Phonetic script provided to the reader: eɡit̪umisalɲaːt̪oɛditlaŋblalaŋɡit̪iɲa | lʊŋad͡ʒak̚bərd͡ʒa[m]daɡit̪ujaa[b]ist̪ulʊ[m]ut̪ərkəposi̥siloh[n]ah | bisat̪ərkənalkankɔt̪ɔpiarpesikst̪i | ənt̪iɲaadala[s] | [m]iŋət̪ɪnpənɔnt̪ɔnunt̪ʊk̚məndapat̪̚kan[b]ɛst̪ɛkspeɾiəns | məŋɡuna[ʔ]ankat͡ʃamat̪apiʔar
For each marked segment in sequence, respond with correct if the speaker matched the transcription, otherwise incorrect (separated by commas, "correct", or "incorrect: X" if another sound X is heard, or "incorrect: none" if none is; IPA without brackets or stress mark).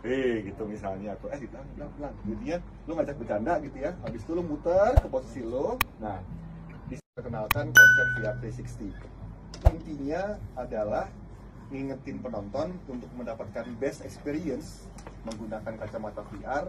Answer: incorrect: n, correct, correct, correct, incorrect: h, incorrect: ŋ, correct, incorrect: k